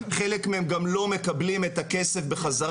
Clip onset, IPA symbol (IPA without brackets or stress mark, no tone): χ